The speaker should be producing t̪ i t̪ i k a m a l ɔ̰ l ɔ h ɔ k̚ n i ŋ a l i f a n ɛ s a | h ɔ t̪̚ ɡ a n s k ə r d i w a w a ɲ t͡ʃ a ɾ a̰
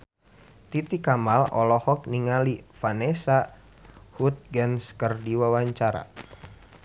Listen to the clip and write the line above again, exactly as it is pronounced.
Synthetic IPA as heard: t̪ i t̪ i k a m a l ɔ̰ l ɔ h ɔ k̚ n i ŋ a l i f a n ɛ s a | h u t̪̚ ɡ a n s k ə r d i w a w a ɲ t͡ʃ a ɾ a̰